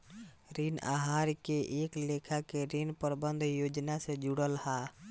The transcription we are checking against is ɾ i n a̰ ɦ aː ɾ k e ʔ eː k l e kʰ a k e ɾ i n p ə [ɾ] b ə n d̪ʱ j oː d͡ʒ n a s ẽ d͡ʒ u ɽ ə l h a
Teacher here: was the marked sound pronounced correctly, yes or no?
yes